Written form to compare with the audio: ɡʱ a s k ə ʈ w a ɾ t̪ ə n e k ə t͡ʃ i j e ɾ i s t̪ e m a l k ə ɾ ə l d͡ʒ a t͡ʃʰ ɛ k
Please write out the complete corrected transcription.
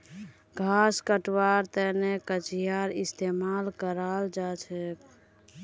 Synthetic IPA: ɡʱ a s k ə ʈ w a ɾ t̪ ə n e k ə t͡ʃ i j a ɾ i s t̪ e m a l k ə ɾ a l d͡ʒ a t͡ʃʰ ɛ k